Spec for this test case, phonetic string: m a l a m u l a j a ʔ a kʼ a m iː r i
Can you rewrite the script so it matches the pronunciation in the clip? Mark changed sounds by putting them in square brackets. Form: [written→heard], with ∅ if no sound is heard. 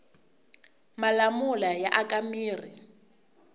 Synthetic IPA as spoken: m a l a m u l a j a ʔ a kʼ a m iː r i